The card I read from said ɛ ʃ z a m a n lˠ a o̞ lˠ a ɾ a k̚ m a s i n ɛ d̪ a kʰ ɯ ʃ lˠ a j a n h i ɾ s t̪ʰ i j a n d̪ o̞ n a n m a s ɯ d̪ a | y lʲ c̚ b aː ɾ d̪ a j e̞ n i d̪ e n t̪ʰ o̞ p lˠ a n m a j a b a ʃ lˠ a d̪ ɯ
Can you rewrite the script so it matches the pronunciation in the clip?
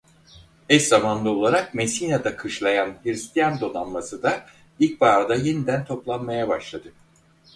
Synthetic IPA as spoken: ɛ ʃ z a m a n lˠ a o̞ lˠ a ɾ a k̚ m e s i n a d̪ a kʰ ɯ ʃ lˠ a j a n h i ɾ s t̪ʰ i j a n d̪ o̞ n a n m a s ɯ d̪ a | i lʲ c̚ b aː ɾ d̪ a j e̞ n i d̪ æ n t̪ʰ o̞ p lˠ a n m a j a b a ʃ lˠ a d̪ ɯ